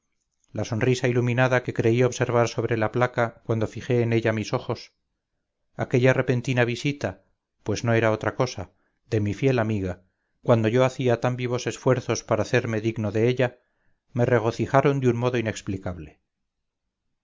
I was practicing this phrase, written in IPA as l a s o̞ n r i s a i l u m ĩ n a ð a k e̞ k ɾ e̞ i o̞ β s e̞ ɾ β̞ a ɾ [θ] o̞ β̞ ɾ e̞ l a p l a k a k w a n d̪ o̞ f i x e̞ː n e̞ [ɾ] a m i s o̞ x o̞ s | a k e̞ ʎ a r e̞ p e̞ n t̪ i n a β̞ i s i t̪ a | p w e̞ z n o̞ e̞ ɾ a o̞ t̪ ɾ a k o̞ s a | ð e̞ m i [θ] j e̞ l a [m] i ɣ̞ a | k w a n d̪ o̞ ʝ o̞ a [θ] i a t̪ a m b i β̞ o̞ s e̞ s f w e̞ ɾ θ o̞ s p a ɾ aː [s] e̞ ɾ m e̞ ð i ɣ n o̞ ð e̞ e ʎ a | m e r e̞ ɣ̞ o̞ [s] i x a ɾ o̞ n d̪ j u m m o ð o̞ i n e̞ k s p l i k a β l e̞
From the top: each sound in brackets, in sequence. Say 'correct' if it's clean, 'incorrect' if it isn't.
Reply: incorrect: s, incorrect: ʎ, incorrect: f, correct, correct, incorrect: θ, incorrect: θ

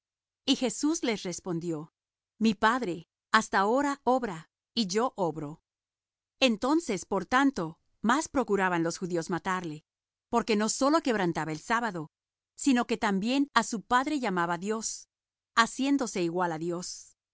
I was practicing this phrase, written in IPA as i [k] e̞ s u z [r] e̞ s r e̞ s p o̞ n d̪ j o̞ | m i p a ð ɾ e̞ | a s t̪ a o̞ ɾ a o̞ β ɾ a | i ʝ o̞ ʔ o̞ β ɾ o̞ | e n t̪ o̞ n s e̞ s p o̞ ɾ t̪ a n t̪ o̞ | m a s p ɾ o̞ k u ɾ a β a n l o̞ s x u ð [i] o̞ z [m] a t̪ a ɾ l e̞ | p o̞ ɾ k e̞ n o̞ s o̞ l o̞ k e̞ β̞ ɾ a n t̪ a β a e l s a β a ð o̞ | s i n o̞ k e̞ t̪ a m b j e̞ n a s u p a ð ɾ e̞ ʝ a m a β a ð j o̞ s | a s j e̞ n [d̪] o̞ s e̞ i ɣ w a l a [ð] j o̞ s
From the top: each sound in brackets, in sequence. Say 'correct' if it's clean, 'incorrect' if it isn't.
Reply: incorrect: x, incorrect: l, correct, correct, correct, correct

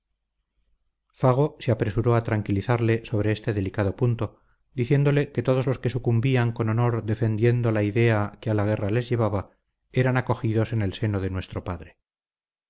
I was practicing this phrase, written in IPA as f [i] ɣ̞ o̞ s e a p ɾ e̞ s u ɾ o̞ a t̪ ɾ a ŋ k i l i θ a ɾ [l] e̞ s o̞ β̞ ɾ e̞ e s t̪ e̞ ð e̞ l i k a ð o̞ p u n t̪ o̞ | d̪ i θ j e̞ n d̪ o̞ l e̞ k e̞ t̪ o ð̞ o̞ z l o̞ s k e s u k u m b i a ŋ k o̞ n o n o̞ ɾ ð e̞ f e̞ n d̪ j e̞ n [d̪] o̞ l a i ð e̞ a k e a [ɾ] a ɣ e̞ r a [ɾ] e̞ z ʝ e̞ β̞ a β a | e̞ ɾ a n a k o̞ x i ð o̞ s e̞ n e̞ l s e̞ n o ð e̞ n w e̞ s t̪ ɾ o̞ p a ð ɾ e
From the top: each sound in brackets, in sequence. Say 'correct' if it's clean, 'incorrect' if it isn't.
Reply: incorrect: a, correct, correct, incorrect: l, incorrect: l

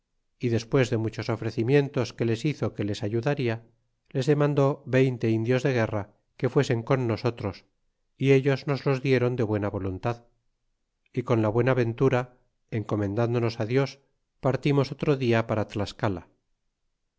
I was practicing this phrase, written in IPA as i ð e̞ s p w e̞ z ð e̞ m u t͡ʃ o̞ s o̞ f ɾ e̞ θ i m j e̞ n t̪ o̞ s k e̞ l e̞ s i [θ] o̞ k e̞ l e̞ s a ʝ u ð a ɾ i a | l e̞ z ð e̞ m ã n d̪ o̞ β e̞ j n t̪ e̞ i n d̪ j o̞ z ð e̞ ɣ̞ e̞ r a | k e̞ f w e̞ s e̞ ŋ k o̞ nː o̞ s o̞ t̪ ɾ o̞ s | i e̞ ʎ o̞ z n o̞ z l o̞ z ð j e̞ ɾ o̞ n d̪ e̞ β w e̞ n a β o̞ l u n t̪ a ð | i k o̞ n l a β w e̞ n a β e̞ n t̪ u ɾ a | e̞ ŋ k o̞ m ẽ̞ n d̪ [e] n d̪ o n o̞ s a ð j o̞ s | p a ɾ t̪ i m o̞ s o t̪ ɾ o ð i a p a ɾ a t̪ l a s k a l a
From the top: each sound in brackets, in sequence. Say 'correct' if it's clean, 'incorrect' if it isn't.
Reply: correct, incorrect: a

